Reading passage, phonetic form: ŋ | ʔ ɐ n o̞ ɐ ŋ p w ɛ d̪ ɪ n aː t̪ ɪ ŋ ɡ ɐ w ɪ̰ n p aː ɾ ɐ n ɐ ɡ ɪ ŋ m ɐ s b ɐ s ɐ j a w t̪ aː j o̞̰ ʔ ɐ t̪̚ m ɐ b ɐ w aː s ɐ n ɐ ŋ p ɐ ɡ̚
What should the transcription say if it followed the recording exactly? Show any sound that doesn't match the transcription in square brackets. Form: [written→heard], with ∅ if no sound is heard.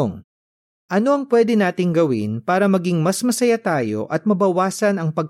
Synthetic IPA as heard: ŋ | ʔ ɐ n o̞ ɐ ŋ p w ɛ d̪ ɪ n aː t̪ ɪ ŋ ɡ ɐ w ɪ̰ n p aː ɾ ɐ [n→m] ɐ ɡ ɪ ŋ m ɐ s [b→m] ɐ s ɐ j a [w→∅] t̪ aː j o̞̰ ʔ ɐ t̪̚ m ɐ b ɐ w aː s ɐ n ɐ ŋ p ɐ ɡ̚